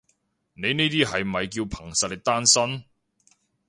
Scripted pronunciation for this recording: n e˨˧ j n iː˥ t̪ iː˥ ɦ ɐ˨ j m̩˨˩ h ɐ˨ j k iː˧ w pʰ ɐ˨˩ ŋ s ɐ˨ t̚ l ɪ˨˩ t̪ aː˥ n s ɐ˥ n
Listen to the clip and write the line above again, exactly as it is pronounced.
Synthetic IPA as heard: n e˨˧ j n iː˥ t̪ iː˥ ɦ ɐ˨ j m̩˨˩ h ɐ˨ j k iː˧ w pʰ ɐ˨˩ ŋ s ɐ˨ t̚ l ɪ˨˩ t̪ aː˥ n s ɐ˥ n